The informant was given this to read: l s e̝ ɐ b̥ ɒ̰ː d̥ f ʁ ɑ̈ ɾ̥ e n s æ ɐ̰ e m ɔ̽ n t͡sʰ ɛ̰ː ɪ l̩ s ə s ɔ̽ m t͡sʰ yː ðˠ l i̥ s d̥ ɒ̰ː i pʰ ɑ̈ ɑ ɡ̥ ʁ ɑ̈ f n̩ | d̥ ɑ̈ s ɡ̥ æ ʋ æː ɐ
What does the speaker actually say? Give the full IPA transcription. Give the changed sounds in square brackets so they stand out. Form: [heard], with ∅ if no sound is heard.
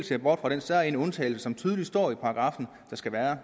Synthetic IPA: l s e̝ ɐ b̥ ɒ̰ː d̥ f ʁ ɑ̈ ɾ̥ e n s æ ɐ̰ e [n] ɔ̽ n t͡sʰ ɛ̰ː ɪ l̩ s ə s [ɒ̽] m t͡sʰ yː ðˠ l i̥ s d̥ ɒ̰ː i pʰ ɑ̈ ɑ ɡ̥ ʁ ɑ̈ f n̩ | d̥ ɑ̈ s ɡ̥ æ ʋ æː ɐ